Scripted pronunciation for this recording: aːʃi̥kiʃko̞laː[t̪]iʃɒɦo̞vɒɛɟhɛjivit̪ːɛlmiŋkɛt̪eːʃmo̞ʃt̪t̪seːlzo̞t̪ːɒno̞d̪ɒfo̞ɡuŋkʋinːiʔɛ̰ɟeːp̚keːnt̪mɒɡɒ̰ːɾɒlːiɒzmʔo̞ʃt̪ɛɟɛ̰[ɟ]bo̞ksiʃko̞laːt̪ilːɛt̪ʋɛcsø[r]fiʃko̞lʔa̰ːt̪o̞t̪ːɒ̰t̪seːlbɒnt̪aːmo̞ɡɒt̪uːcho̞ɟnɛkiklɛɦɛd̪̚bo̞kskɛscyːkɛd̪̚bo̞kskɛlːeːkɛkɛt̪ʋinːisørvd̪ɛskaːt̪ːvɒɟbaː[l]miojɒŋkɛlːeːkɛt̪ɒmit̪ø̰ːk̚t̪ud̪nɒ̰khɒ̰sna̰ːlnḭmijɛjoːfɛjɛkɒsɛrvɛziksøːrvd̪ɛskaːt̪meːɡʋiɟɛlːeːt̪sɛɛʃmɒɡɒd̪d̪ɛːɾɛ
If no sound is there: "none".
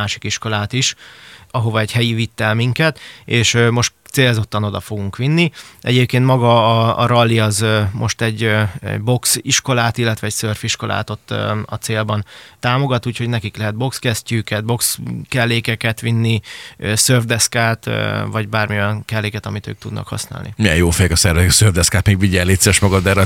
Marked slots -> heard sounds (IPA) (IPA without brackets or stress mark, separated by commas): t̪, ɟ, r, r